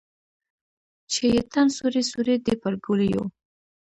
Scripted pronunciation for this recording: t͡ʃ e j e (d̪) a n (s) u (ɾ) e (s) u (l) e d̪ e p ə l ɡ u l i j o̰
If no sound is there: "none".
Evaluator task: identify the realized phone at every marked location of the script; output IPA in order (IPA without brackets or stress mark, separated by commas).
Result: t̪, s, ɾ, s, ɾ